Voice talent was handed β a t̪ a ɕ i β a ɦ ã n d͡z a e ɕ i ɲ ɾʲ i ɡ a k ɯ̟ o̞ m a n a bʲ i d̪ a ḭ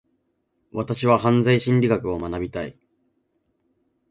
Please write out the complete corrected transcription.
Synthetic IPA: β a t̪ a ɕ i β a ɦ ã n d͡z a i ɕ ĩ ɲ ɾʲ i ɡ a k ɯ̟ o̞ m a n a bʲ i t̪ a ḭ